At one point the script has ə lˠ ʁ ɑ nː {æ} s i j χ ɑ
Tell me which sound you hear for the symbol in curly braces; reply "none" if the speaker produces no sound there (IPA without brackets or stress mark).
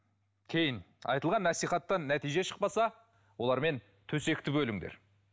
æ